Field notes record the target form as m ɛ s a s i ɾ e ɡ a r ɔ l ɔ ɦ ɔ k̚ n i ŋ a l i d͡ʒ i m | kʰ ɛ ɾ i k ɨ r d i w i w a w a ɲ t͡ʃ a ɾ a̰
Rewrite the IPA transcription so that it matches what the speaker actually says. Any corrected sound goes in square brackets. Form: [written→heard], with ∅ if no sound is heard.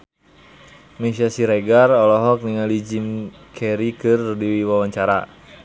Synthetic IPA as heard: m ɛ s a s i ɾ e ɡ a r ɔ l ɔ ɦ ɔ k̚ n i ŋ a l i d͡ʒ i m | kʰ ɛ ɾ i k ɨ r d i w i w a w a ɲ t͡ʃ a ɾ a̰